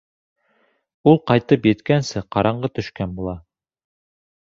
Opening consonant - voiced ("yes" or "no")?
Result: yes